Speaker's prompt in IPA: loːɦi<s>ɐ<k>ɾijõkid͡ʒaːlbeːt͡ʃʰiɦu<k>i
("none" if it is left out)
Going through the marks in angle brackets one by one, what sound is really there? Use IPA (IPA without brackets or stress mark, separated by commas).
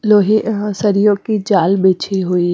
s, none, none